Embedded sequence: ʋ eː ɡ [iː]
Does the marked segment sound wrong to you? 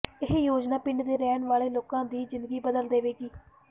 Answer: no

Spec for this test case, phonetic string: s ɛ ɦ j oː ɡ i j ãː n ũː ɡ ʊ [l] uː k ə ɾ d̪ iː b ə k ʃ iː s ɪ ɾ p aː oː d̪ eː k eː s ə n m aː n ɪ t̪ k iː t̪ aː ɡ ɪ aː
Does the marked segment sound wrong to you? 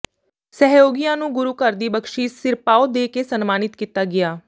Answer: yes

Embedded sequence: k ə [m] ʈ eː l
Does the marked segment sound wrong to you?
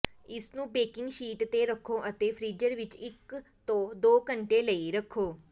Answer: yes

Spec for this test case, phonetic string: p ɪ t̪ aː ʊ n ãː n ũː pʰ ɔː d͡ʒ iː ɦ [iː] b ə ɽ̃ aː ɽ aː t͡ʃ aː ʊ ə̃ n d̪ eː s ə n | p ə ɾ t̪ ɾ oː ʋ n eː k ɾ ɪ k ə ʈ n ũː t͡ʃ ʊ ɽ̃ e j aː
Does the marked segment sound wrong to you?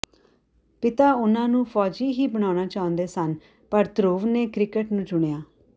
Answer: no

